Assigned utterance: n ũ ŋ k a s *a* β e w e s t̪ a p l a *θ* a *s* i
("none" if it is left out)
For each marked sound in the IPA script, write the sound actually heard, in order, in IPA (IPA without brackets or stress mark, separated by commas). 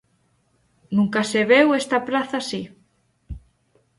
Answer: e, θ, s